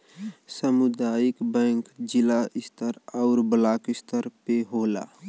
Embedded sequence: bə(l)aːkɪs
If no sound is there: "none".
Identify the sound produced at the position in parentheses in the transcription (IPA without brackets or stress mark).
l